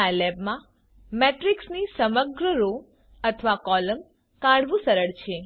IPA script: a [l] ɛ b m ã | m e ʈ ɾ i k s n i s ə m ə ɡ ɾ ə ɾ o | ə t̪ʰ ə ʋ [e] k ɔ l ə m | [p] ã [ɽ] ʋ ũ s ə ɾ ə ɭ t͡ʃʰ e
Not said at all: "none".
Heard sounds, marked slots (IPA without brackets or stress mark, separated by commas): l, a, k, ɽ